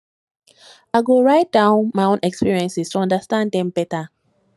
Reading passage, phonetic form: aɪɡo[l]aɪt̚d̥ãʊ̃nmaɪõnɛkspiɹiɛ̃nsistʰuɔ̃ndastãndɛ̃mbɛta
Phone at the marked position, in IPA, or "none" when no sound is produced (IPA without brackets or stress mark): ɹ